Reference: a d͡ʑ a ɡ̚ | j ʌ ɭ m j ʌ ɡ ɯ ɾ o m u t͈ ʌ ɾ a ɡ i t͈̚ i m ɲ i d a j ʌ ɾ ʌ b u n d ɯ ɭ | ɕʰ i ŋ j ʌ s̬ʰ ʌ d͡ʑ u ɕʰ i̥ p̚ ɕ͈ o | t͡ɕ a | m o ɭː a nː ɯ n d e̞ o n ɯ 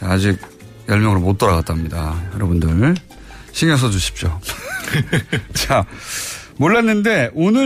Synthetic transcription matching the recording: a d͡ʑ i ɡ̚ | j ʌ ɭ m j ʌ ŋ ɯ ɾ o m o t͈ ʌ ɾ a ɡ a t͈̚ a m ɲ i d a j ʌ ɾ ʌ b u n d ɯ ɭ | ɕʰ i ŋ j ʌ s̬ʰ ʌ d͡ʑ u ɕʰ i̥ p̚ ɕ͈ o | t͡ɕ a | m o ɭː a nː ɯ n d e̞ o n ɯ